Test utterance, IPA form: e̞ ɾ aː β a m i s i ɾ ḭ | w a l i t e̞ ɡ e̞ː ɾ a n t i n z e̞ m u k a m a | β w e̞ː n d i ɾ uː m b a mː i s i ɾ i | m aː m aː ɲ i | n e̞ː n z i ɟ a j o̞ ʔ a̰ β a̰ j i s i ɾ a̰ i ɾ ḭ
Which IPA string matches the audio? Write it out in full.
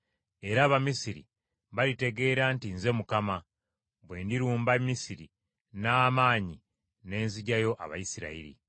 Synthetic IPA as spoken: e̞ ɾ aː β a m i s i ɾ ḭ | β a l i t e̞ ɡ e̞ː ɾ a n t i n z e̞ m u k a m a | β w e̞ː n d i ɾ uː m b a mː i s i ɾ i | n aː m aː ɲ i | n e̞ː n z i ɟ a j o̞ ʔ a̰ β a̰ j i s i ɾ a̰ i ɾ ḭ